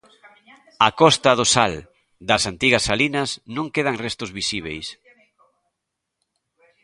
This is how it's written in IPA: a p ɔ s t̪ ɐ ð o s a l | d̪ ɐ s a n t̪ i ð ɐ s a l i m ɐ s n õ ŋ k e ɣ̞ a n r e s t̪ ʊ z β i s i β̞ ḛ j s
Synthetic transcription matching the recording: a k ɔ s t̪ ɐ ð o s a l | d̪ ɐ s a n t̪ i ɣ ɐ s a l i n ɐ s n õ ŋ k e ð̞ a ŋ r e s t̪ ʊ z β i s i β̞ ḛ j s